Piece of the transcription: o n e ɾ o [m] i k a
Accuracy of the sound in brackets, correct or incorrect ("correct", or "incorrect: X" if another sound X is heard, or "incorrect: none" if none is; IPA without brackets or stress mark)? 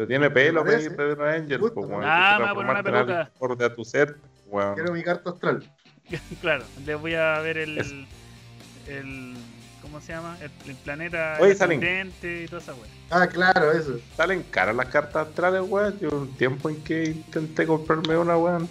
correct